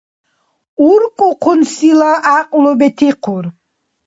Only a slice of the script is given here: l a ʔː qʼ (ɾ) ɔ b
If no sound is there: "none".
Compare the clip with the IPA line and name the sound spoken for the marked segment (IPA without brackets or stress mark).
l